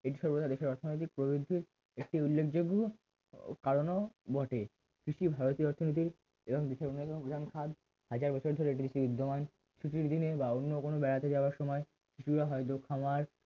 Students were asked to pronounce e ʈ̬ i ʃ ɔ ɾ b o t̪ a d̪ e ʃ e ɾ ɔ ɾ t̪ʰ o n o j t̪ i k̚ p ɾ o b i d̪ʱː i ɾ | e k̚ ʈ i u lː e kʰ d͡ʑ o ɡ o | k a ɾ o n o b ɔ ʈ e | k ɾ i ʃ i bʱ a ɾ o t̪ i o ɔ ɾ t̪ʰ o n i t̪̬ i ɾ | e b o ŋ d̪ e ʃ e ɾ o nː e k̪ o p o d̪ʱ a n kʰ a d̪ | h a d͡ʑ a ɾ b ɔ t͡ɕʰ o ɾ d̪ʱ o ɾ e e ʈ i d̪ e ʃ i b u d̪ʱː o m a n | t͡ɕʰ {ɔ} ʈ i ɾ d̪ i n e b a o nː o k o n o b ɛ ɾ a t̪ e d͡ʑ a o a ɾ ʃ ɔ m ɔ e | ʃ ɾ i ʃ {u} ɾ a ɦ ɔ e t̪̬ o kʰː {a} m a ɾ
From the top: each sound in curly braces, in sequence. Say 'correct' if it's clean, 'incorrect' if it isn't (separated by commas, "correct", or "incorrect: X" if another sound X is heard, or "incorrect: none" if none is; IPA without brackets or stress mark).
incorrect: u, correct, correct